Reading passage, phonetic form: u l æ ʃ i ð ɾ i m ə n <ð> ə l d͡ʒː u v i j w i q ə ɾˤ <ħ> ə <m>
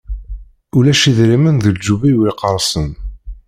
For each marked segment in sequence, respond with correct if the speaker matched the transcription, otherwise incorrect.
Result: correct, incorrect: s, incorrect: n

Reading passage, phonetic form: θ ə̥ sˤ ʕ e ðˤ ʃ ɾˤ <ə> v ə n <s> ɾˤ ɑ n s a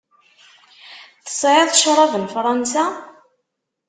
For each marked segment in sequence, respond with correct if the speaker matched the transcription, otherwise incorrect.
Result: incorrect: ɑ, incorrect: f

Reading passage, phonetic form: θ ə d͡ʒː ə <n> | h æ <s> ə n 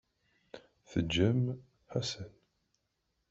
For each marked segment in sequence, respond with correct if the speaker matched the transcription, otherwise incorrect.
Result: incorrect: m, correct

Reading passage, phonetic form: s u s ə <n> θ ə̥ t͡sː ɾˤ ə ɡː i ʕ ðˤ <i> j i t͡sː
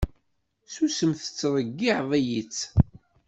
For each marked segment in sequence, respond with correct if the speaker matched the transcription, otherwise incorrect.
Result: incorrect: m, incorrect: æ

